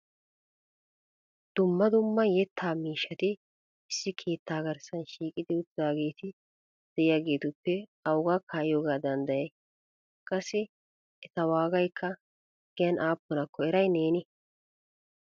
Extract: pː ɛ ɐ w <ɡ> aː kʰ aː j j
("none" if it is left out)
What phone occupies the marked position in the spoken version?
ɡ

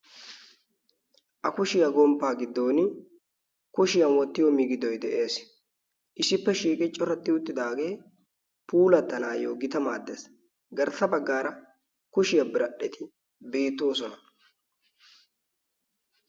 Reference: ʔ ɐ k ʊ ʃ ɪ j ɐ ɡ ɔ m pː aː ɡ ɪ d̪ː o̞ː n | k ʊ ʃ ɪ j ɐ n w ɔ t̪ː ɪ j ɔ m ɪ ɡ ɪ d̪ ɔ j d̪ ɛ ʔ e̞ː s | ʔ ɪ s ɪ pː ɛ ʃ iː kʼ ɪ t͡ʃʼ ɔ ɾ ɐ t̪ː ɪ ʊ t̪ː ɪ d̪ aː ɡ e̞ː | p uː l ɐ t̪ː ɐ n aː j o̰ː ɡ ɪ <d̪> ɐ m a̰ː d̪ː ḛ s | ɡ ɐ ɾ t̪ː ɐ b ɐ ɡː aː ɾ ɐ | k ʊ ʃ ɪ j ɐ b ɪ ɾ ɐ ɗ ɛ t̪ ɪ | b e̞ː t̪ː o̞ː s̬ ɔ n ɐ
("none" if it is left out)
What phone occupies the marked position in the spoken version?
t̪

